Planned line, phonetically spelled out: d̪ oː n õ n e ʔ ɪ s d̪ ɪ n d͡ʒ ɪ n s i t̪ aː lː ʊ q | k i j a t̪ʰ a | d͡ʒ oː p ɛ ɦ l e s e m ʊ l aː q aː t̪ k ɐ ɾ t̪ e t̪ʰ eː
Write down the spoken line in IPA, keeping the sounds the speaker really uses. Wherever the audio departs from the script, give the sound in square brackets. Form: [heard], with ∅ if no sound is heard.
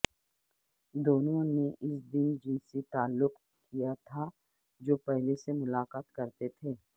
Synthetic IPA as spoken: d̪ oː n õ n e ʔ ɪ s d̪ ɪ n d͡ʒ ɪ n s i t̪ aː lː ʊ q | k i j a t̪ʰ a | d͡ʒ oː p ɛ ɦ l e s e m ʊ l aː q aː t̪ k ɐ ɾ t̪ e t̪ʰ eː